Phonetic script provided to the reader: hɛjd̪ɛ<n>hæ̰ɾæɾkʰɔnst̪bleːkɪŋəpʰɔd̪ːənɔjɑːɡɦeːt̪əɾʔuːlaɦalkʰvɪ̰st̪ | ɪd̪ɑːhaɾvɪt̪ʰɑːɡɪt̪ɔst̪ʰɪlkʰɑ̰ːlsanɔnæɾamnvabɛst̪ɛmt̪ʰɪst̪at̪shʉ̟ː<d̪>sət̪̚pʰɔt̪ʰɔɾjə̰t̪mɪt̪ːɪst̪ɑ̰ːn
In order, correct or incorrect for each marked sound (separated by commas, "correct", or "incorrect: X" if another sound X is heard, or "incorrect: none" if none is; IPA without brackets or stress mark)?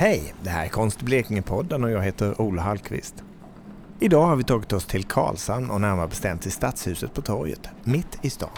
incorrect: none, incorrect: none